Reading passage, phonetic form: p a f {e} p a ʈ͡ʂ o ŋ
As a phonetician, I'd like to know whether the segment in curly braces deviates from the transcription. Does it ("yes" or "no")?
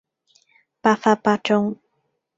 yes